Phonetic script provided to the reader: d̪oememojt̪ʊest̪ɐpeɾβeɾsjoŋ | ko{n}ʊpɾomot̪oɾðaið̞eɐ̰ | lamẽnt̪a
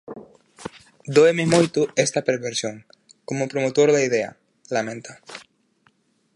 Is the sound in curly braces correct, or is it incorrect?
incorrect